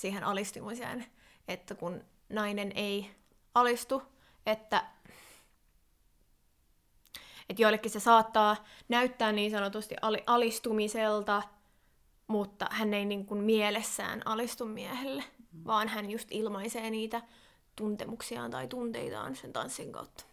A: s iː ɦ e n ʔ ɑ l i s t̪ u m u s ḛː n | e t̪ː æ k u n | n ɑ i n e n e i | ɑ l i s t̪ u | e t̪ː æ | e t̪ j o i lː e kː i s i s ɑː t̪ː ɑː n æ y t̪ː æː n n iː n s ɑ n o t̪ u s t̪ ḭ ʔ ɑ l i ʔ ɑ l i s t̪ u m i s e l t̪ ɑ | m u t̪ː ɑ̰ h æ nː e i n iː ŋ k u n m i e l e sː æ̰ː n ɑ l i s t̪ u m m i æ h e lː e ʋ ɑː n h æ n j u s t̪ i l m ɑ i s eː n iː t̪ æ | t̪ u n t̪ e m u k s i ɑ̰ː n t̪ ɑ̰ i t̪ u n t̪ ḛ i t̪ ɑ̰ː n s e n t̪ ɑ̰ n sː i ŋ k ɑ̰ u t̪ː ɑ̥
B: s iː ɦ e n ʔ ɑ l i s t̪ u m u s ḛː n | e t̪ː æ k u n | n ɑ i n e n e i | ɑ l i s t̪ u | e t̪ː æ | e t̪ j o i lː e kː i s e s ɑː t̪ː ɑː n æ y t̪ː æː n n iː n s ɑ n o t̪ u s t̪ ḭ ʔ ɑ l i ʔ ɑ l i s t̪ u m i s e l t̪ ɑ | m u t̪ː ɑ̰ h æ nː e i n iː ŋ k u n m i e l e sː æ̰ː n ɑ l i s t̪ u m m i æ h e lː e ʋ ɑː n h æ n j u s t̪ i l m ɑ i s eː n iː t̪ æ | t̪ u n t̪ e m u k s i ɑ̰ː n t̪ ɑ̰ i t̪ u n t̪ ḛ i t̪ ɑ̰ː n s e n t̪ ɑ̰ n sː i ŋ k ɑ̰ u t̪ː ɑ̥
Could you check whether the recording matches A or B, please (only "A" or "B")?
B